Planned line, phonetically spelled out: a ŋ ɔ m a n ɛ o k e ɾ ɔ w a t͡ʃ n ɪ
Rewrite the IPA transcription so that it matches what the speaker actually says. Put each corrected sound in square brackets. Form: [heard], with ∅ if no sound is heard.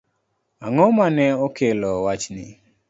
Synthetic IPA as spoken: a ŋ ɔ m a n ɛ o k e [l] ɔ w a t͡ʃ n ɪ

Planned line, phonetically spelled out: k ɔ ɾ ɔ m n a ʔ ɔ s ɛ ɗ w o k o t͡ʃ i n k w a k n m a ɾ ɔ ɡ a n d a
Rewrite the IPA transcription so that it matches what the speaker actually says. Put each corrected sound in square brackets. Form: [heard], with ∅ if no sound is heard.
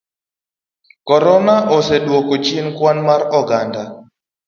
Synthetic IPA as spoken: k ɔ ɾ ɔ [∅] n a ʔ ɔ s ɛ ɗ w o k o t͡ʃ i n k w a [∅] n m a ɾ ɔ ɡ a n d a

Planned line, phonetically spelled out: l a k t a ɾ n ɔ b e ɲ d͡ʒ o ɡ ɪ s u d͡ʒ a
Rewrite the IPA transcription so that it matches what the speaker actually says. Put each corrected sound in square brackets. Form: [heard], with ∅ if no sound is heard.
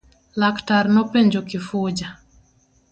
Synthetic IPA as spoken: l a k t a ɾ n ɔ [p] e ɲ d͡ʒ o [k] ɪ [f] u d͡ʒ a

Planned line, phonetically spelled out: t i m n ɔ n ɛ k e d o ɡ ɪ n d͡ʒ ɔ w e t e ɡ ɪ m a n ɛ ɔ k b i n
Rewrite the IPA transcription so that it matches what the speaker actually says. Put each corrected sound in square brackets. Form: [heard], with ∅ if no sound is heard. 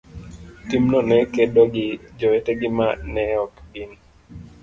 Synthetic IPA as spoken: t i m n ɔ n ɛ k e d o ɡ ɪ [∅] d͡ʒ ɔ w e t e ɡ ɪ m a n ɛ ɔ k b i n

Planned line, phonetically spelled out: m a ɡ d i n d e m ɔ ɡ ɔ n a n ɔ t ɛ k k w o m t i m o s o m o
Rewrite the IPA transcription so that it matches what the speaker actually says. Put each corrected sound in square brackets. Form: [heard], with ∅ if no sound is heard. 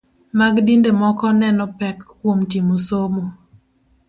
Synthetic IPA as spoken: m a ɡ d i n d e m ɔ [k] ɔ n [ɛ] n ɔ [p] ɛ k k w o m t i m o s o m o

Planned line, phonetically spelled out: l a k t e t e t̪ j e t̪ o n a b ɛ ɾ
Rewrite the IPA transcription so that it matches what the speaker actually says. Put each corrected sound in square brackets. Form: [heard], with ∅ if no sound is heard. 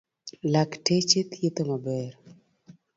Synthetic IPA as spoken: l a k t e [t͡ʃ] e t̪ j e t̪ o [m] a b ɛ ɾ

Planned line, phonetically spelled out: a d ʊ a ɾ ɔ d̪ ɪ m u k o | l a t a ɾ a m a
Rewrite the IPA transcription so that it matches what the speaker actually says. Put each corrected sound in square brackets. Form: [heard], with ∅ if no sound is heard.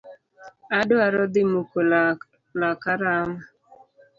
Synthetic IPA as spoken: a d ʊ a ɾ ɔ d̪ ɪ m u k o | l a [k] a ɾ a m a

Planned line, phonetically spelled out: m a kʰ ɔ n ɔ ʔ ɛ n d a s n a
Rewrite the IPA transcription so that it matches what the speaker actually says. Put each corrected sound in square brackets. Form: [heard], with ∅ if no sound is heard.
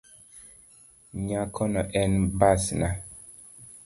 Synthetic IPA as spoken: [ɲ] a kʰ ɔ n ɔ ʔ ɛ n [b] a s n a

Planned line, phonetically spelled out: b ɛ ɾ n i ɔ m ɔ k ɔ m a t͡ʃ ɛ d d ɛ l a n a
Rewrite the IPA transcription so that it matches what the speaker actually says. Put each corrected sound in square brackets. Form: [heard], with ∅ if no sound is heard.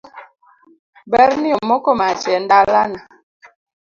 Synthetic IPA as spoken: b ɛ ɾ n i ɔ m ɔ k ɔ m a t͡ʃ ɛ [n] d [a] l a n a

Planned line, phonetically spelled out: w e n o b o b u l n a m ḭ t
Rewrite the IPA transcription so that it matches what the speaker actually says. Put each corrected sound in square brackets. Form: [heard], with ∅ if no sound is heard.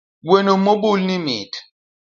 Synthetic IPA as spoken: w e n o [m] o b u l n [i] m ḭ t

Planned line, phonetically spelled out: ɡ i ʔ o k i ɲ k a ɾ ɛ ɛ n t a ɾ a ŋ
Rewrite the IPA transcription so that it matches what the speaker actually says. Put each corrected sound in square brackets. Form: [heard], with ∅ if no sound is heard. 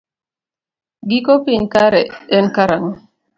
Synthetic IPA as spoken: ɡ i [k] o [p] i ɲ k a ɾ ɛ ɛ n [k] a ɾ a ŋ

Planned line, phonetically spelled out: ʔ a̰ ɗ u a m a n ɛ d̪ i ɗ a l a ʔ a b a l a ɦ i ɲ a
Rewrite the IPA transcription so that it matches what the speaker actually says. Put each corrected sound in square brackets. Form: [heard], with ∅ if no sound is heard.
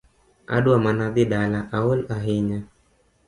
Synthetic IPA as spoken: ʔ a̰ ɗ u a m a n [a] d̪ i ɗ a l a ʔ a [w] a l a ɦ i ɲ a

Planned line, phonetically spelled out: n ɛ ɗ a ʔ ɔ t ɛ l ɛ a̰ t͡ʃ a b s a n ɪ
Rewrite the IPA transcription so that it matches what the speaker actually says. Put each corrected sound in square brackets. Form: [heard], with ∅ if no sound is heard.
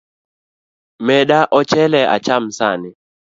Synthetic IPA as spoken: [m] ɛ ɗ a ʔ ɔ [t͡ʃ] ɛ l ɛ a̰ t͡ʃ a [m] s a n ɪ

